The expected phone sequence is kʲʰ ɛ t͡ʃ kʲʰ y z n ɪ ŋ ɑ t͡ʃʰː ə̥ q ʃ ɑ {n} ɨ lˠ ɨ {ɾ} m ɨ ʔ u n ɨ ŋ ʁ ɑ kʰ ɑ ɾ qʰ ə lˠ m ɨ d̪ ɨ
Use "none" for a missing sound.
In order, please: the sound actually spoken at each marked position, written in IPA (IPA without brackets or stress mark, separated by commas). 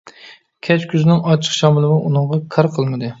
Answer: m, none